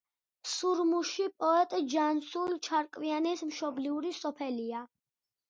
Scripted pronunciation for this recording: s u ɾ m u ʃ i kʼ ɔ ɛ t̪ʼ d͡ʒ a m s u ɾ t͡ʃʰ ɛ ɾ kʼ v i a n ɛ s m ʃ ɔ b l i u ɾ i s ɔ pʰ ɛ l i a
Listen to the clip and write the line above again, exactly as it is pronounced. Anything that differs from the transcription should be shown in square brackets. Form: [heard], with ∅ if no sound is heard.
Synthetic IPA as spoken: s u ɾ m u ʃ i [pʼ] ɔ ɛ t̪ʼ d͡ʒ a [n] s u [l] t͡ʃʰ [a] ɾ kʼ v i a n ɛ s m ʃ ɔ b l i u ɾ i s ɔ pʰ ɛ l i a